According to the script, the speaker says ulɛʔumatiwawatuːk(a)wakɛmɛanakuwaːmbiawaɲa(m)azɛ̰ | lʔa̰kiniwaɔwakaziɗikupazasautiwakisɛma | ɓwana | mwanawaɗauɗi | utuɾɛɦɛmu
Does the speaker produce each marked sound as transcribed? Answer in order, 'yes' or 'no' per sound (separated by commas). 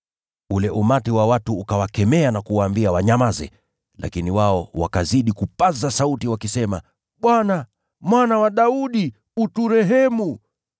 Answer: yes, yes